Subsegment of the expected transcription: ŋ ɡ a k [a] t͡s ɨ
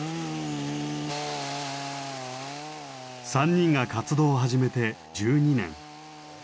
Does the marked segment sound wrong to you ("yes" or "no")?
no